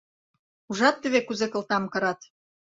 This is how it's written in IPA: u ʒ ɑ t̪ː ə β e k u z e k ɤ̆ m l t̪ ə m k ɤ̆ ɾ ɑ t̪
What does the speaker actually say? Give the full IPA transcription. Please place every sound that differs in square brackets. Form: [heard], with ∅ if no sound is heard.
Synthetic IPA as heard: u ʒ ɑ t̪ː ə β e k u z e k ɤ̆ [∅] l t̪ [ɑ] m k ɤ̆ ɾ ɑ t̪